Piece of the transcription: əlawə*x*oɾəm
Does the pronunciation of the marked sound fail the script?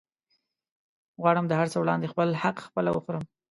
no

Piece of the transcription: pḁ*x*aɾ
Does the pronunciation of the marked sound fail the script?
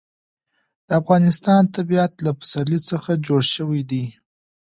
yes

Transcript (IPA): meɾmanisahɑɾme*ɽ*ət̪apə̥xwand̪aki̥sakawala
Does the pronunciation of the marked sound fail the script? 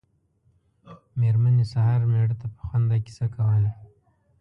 no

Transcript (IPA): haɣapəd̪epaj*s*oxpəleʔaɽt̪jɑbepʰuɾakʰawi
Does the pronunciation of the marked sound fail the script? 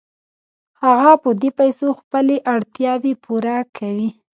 no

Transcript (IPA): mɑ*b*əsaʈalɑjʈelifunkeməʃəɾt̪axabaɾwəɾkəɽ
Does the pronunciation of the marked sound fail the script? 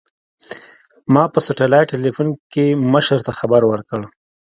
yes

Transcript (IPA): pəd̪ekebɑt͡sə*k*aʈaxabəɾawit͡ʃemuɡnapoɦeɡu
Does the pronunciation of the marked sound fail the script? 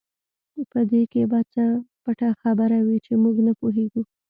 yes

